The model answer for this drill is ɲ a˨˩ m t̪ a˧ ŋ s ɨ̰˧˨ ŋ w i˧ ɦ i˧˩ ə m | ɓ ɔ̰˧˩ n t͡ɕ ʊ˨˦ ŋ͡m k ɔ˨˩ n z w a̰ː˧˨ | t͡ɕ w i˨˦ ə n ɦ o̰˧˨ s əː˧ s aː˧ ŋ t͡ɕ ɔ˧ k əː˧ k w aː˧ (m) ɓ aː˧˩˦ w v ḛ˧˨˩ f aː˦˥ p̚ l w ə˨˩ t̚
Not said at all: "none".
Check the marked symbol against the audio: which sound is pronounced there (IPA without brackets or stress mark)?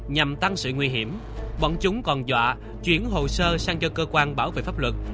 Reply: n